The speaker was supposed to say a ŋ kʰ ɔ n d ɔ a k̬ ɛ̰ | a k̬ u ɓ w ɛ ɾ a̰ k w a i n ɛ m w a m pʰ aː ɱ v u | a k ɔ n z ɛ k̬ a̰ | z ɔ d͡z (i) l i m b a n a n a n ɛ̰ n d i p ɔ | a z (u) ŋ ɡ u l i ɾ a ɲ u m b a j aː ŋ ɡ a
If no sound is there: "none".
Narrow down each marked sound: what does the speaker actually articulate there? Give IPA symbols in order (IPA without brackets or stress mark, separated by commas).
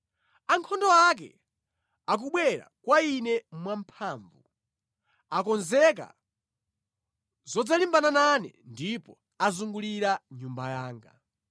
a, u